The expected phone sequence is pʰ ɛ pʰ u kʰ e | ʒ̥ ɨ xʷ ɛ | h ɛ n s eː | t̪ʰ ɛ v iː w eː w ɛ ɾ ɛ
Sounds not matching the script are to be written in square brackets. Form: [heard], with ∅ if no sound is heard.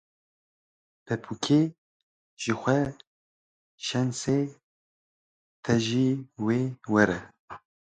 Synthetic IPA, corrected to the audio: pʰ ɛ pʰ u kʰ e | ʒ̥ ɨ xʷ ɛ | [ʃ] ɛ n s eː | t̪ʰ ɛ [ʒ] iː w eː w ɛ ɾ ɛ